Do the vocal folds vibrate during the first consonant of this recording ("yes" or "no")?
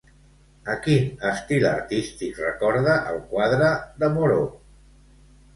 no